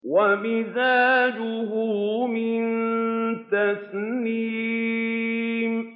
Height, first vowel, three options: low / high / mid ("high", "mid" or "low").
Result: low